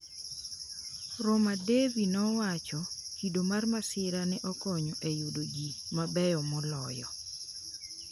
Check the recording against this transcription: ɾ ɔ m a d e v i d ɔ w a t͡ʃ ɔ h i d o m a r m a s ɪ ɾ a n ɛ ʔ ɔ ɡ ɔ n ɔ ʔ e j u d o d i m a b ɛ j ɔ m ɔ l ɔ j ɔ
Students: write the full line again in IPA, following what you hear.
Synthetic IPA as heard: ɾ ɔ m a d e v i n ɔ w a t͡ʃ ɔ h i d o m a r m a s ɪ ɾ a n ɛ ʔ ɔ k ɔ ɲ ɔ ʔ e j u d o ɡ i m a b ɛ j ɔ m ɔ l ɔ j ɔ